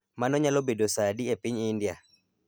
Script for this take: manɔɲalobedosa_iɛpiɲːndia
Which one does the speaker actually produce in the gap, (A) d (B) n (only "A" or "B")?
A